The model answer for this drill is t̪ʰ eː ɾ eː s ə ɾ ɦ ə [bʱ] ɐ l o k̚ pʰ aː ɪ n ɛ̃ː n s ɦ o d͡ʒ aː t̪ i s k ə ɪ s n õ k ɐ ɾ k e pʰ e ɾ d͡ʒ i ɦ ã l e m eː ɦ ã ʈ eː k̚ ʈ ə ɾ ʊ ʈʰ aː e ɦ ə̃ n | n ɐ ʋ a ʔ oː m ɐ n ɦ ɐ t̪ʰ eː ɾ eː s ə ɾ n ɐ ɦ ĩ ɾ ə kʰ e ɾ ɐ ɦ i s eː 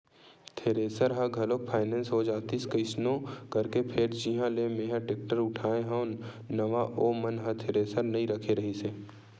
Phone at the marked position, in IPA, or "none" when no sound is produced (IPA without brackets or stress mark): ɡʱ